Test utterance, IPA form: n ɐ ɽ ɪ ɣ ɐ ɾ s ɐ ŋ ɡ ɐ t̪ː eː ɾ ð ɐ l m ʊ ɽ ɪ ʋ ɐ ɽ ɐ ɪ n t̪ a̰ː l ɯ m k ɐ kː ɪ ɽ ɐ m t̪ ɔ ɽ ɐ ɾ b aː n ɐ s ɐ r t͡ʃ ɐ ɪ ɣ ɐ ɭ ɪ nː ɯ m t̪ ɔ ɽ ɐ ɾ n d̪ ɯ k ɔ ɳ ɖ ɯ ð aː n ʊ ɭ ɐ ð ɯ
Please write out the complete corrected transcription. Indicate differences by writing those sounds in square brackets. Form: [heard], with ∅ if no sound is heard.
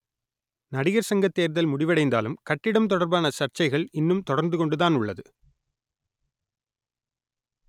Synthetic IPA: n ɐ ɽ ɪ ɣ ɐ ɾ s ɐ ŋ ɡ ɐ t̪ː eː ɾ ð ɐ l m ʊ ɽ ɪ ʋ ɐ ɽ ɐ ɪ n [d̪] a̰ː l ɯ m k ɐ [ʈː] ɪ ɽ ɐ m t̪ ɔ ɽ ɐ ɾ b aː n ɐ s ɐ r t͡ʃ ɐ ɪ ɣ ɐ ɭ ɪ nː ɯ m t̪ ɔ ɽ ɐ ɾ n d̪ ɯ k ɔ ɳ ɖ ɯ ð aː n ʊ [ɭː] ɐ ð ɯ